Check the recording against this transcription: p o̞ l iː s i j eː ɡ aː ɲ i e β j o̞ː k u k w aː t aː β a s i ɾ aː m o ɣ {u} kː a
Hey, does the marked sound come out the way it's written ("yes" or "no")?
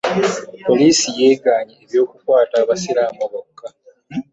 no